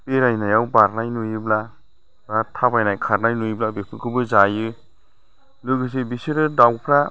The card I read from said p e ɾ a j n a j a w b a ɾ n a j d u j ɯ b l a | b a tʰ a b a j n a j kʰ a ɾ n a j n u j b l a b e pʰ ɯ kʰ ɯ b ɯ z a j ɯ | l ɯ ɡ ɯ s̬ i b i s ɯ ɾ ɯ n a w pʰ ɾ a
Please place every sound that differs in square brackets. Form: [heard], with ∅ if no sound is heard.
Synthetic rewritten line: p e ɾ a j n a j a w b a ɾ n a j [n] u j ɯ b l a | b a tʰ a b a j n a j kʰ a ɾ n a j n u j b l a b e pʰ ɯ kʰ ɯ b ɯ z a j ɯ | l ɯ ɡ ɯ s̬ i b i s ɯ ɾ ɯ [d] a w pʰ ɾ a